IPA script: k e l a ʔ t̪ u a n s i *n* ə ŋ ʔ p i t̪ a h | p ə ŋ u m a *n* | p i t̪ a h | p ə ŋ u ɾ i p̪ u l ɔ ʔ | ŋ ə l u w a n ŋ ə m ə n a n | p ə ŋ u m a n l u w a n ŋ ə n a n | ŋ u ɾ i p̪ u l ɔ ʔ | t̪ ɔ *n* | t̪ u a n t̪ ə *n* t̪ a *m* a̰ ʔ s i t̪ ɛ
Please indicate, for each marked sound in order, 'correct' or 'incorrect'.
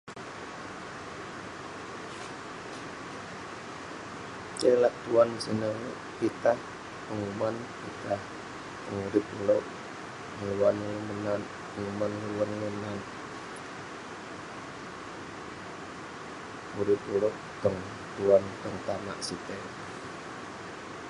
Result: correct, correct, incorrect: ŋ, incorrect: ŋ, correct

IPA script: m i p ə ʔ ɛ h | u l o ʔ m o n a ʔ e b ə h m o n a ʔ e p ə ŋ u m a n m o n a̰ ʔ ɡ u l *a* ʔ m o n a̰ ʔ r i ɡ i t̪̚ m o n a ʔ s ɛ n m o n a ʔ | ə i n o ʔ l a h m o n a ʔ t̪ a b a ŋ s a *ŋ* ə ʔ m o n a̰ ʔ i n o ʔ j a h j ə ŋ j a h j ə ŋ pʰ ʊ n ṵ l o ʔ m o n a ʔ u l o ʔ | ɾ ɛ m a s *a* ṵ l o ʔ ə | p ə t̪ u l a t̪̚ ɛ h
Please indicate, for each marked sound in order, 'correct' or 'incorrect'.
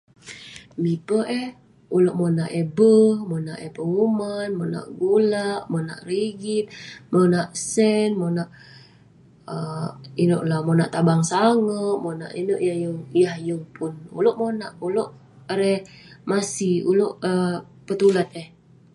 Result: correct, correct, incorrect: i

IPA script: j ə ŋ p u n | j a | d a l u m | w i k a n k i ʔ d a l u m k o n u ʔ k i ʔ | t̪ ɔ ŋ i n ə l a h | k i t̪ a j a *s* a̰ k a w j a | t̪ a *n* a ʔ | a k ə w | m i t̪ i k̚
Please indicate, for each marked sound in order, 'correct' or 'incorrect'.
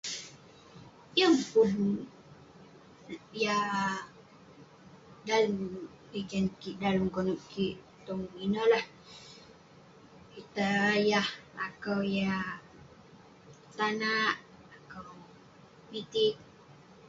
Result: incorrect: h, correct

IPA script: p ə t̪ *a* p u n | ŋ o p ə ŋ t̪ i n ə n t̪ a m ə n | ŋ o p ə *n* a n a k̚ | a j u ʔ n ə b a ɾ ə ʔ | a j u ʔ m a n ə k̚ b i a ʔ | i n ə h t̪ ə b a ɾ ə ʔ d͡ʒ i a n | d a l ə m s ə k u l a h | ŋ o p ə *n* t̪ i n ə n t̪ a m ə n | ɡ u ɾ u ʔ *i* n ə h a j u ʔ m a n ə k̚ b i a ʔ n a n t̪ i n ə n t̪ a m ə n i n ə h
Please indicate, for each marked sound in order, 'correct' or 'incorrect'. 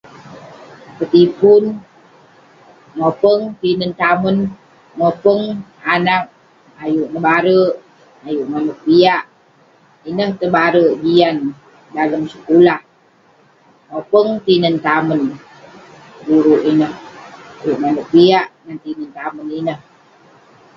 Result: incorrect: i, incorrect: ŋ, incorrect: ŋ, correct

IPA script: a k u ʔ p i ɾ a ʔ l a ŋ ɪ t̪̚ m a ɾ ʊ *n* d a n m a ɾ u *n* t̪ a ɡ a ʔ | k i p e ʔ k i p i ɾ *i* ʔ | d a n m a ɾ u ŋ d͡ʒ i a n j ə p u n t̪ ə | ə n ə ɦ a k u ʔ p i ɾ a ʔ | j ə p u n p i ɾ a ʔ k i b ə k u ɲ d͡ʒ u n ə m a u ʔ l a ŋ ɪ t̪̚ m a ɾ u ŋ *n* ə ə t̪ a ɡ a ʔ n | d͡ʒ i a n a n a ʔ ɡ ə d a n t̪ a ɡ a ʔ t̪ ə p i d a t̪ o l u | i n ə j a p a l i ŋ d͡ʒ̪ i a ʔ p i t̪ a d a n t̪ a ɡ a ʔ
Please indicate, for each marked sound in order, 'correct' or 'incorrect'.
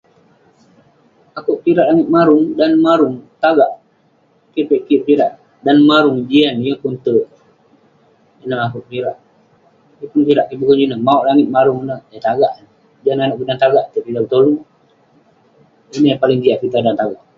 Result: incorrect: ŋ, incorrect: ŋ, incorrect: a, correct

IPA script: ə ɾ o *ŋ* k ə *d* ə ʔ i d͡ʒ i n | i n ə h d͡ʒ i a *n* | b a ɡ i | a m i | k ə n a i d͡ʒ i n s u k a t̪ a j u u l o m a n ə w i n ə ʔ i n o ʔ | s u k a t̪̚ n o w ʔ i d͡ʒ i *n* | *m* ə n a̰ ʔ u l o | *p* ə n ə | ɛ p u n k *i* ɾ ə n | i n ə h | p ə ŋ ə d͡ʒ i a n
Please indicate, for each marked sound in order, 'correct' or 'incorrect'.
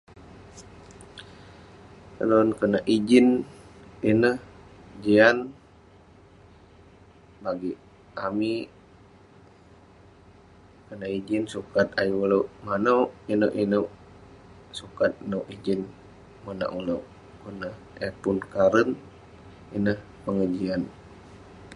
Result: incorrect: n, incorrect: n, correct, correct, correct, incorrect: k, incorrect: a

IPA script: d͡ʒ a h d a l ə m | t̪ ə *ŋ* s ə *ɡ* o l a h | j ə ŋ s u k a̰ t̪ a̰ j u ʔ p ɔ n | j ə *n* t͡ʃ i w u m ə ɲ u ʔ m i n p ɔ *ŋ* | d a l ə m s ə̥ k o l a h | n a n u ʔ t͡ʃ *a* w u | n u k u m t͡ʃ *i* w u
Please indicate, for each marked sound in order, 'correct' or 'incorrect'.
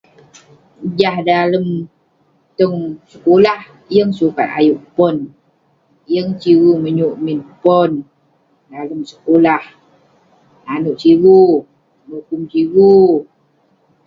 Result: correct, incorrect: k, incorrect: ŋ, incorrect: n, incorrect: i, correct

